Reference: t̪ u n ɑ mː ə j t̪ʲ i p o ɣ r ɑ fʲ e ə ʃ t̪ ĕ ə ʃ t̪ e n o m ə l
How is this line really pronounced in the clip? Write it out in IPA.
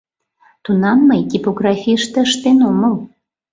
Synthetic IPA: t̪ u n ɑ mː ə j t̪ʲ i p o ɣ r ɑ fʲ i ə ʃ t̪ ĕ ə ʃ t̪ e n o m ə l